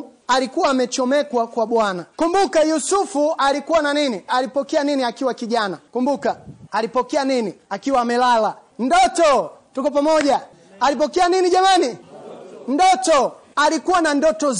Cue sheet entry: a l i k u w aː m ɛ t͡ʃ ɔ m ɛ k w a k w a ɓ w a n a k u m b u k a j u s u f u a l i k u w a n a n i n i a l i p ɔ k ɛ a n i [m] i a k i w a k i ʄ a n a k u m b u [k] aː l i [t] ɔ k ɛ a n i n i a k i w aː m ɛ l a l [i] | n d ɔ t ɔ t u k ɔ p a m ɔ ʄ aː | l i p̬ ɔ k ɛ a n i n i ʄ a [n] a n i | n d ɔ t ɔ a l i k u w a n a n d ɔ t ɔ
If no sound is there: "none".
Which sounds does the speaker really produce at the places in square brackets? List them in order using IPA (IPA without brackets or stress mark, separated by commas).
n, k, p, a, m